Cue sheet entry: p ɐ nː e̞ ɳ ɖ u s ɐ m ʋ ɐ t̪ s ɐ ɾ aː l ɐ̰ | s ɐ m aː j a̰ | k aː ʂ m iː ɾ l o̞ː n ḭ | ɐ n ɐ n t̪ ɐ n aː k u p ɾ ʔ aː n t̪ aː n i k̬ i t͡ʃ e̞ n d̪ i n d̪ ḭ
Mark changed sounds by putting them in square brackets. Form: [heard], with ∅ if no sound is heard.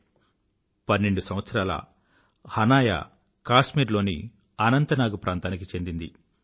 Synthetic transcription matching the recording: p ɐ nː e̞ ɳ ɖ u s ɐ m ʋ ɐ t̪ s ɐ ɾ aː l ɐ̰ | [h] ɐ [n] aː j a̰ | k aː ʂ m iː ɾ l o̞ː n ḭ | ɐ n ɐ n t̪ ɐ n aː [ɡ] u p ɾ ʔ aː n t̪ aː n i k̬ i t͡ʃ e̞ n d̪ i n d̪ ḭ